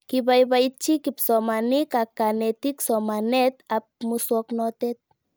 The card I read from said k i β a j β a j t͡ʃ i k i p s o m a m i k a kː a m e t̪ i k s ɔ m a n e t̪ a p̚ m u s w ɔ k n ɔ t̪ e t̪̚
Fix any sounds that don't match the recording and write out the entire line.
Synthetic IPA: k i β a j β a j t͡ʃ i k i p s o m a n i k a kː a n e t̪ i k s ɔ m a n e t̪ a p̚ m u s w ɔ k n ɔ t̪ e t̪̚